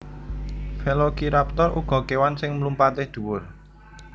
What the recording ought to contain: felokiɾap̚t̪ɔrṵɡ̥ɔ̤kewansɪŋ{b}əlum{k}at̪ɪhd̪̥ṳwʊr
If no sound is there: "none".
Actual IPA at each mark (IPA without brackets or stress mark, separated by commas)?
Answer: m, p